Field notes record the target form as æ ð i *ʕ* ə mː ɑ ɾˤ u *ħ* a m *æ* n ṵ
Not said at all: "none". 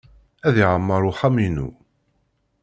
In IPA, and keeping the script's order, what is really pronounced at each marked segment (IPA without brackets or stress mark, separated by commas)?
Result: ʕ, ħ, i